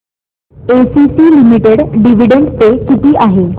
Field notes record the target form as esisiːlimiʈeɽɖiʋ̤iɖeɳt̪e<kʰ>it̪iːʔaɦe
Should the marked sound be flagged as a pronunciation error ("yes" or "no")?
yes